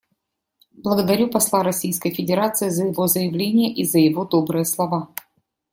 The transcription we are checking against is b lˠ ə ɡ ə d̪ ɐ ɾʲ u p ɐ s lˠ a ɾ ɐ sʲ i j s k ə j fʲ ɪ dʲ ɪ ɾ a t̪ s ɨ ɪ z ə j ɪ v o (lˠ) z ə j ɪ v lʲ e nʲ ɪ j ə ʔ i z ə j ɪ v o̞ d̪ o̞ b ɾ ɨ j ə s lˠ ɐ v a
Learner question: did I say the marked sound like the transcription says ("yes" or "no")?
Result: no